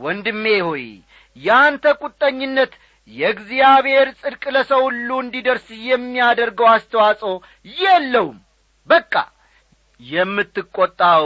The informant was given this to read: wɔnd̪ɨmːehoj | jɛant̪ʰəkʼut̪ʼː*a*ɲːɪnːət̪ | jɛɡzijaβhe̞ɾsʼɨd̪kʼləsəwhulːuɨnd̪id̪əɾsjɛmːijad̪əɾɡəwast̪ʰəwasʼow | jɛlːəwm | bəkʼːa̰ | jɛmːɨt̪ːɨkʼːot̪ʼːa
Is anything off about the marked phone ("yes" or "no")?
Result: yes